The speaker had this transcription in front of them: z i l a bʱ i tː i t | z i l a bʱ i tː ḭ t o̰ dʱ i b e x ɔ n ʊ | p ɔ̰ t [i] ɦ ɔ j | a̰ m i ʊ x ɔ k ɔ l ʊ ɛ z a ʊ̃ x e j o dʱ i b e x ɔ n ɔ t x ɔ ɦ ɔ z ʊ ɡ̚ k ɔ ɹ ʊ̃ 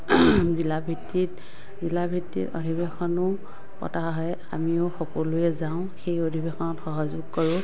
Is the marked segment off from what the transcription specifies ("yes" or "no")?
yes